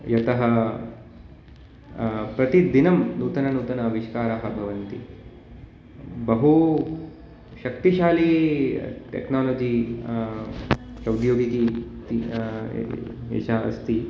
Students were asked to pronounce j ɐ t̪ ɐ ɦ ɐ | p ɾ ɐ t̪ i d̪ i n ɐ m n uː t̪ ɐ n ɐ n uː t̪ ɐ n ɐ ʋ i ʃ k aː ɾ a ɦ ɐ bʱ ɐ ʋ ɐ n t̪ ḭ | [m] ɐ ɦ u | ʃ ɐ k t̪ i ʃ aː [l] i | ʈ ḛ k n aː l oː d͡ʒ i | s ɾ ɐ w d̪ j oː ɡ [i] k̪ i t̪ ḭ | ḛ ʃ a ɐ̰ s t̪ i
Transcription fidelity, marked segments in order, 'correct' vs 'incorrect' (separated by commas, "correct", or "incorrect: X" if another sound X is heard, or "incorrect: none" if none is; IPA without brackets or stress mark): incorrect: b, correct, correct